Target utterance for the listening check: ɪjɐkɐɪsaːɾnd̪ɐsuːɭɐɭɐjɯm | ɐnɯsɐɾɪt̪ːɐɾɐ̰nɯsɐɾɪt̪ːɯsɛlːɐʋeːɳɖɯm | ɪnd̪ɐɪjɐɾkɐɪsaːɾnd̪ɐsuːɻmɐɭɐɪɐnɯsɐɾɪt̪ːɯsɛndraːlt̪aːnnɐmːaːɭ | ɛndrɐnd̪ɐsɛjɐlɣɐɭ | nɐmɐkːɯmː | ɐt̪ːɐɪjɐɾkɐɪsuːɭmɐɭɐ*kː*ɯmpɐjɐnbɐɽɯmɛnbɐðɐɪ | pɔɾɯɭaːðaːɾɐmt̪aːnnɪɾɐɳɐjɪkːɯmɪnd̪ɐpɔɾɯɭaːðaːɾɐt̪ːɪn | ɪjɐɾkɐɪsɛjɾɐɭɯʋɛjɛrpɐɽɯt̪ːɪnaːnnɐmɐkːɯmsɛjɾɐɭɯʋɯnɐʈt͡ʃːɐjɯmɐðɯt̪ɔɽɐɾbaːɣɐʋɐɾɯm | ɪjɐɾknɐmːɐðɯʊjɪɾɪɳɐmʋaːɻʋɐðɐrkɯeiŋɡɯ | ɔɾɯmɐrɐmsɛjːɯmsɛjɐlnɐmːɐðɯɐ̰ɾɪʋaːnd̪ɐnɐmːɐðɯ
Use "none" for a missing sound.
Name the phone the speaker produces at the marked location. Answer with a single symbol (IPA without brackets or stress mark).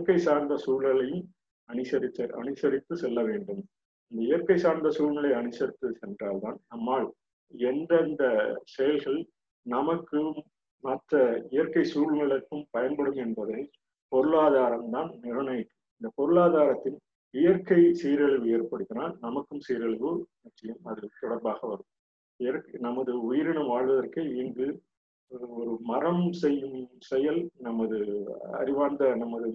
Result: kː